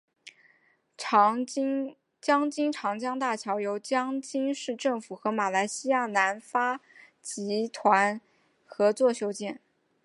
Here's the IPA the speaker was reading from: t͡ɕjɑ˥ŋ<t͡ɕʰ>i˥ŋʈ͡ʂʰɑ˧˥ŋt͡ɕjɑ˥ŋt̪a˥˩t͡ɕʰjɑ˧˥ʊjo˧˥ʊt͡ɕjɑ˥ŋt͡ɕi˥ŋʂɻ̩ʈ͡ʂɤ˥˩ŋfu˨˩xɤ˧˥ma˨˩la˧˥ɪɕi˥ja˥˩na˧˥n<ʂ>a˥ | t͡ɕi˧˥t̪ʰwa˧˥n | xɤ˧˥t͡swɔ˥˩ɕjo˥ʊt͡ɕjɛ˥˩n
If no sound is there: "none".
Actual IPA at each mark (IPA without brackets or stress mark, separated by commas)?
t͡ɕ, f